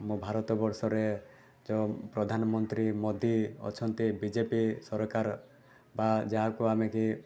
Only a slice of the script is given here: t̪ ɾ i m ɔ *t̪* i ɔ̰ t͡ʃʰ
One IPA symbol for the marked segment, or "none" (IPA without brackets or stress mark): d̪